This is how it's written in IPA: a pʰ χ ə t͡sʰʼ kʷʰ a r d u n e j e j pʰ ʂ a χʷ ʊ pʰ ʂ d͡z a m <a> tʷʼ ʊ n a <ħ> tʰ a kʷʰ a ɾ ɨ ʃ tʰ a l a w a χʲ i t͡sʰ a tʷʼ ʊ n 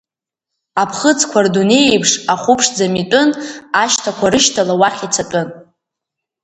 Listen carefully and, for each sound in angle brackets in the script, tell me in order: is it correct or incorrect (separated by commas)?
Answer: incorrect, incorrect